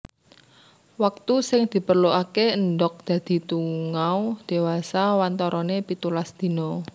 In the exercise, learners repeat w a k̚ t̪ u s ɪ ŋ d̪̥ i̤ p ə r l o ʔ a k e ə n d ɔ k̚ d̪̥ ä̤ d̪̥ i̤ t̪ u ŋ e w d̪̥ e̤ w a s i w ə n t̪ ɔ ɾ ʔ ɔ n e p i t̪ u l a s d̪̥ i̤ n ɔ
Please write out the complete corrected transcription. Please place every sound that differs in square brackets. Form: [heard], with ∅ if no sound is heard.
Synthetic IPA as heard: w a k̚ t̪ u s ɪ ŋ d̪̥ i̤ p ə r l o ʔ a k e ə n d ɔ k̚ d̪̥ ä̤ d̪̥ i̤ t̪ u ŋ [a] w d̪̥ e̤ w a s [a] w [a] n t̪ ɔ ɾ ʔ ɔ n e p i t̪ u l a s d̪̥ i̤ n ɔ